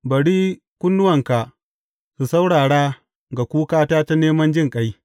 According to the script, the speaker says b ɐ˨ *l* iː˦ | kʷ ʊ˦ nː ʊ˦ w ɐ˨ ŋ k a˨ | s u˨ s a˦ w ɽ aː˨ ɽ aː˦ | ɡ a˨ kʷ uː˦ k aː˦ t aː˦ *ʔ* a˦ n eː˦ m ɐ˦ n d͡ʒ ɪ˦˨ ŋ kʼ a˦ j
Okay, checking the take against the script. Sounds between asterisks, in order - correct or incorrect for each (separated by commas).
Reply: incorrect, incorrect